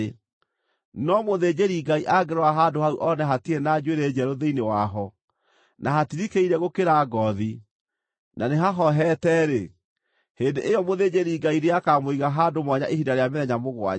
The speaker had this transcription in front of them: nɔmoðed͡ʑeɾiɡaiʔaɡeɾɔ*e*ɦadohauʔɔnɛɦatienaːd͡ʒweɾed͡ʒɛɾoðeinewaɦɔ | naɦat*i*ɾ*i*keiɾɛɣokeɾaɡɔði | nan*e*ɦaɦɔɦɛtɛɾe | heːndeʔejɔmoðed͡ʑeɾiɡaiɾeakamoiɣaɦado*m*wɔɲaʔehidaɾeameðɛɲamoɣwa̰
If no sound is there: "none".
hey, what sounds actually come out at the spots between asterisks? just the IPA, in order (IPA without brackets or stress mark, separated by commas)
a, i, i, e, m